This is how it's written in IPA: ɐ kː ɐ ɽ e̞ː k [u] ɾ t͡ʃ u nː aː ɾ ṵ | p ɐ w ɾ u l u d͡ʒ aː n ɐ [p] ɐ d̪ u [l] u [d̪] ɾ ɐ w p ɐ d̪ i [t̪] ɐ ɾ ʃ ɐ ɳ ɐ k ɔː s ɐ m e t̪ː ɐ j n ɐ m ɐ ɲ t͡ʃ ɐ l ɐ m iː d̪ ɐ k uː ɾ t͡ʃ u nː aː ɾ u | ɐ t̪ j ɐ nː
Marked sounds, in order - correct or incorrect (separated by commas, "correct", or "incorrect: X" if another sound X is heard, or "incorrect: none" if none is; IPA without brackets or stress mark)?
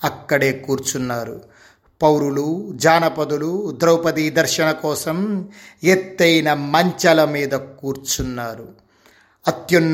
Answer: incorrect: uː, correct, correct, correct, incorrect: d̪